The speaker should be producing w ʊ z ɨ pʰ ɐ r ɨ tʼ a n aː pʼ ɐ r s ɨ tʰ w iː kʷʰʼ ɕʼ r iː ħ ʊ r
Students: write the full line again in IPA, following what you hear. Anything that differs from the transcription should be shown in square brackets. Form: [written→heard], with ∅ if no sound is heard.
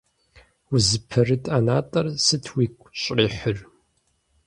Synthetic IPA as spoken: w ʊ z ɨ pʰ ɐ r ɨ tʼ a n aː [pʼ→tʼ] ɐ r s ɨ tʰ w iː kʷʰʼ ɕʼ r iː ħ ʊ r